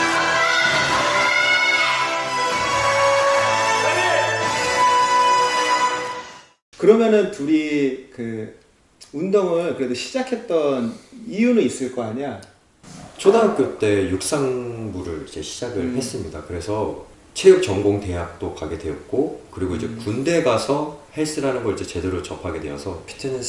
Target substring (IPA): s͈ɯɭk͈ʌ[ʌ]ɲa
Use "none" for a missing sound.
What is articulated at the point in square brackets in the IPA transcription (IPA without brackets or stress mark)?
a